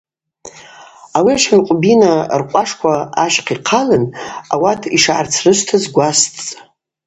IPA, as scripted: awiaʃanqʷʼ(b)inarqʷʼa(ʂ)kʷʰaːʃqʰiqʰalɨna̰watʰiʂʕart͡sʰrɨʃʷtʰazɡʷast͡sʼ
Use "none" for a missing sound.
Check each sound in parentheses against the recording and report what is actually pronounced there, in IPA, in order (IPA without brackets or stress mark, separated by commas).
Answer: b, ʂ